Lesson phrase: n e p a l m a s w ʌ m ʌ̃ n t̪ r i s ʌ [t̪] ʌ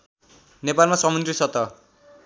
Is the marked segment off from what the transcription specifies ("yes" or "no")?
no